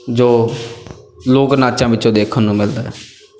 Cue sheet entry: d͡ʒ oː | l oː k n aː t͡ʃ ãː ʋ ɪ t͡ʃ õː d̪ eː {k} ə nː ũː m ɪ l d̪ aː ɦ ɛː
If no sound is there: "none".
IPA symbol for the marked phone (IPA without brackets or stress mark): kʰ